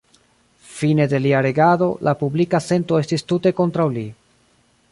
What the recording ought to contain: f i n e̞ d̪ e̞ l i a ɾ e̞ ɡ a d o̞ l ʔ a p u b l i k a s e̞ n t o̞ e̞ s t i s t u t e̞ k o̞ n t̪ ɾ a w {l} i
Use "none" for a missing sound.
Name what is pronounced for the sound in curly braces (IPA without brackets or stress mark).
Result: l